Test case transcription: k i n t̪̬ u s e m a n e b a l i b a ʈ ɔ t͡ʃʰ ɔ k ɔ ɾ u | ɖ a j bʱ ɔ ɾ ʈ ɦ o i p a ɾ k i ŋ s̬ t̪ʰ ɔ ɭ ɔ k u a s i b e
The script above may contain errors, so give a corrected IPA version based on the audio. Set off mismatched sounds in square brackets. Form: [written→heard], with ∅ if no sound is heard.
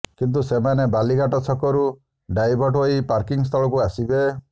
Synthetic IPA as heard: k i n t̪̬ u s e m a n e b a l i [b→ɡ] a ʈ ɔ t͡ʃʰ ɔ k ɔ ɾ u | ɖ a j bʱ ɔ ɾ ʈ ɦ o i p a ɾ k i ŋ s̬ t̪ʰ ɔ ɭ ɔ k u a s i b e